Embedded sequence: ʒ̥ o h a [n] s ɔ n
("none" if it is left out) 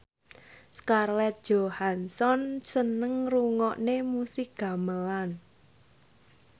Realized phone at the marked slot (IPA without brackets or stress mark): n